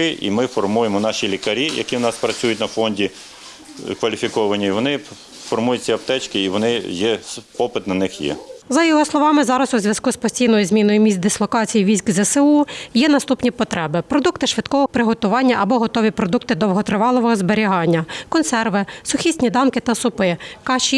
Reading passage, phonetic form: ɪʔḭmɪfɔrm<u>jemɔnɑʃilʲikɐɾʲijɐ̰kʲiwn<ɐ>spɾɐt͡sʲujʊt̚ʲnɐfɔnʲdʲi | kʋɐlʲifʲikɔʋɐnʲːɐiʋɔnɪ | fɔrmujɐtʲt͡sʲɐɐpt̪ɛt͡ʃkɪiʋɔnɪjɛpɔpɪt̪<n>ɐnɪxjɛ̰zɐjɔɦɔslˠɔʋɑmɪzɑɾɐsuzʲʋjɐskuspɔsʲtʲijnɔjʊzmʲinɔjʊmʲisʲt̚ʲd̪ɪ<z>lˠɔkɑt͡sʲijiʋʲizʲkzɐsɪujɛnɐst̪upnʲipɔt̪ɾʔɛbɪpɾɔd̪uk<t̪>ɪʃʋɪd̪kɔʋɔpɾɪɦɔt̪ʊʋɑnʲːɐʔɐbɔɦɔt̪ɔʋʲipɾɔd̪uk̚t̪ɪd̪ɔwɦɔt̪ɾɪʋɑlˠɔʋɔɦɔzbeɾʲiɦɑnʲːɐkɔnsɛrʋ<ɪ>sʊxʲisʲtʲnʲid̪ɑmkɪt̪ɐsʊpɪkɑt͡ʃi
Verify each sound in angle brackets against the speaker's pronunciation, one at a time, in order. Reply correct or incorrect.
correct, incorrect, correct, incorrect, correct, correct

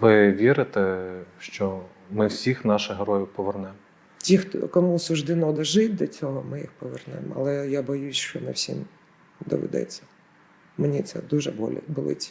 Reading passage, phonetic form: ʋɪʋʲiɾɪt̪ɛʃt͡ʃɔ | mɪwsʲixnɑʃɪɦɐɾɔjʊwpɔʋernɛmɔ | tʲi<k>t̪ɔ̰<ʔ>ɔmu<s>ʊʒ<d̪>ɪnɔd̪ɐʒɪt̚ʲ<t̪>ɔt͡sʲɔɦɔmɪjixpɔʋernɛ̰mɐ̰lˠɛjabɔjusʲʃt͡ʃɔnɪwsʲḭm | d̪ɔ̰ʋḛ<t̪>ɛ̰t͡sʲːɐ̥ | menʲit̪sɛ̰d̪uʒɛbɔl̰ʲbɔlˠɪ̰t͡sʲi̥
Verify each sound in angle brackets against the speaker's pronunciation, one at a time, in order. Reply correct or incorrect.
incorrect, incorrect, correct, correct, incorrect, incorrect

